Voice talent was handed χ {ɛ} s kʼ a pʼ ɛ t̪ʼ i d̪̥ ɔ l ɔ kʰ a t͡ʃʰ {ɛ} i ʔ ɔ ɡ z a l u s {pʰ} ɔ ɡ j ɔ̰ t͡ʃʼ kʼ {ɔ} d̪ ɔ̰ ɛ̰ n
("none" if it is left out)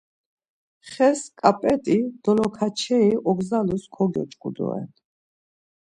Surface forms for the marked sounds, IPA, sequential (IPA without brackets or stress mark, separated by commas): ɛ, ɛ, kʰ, u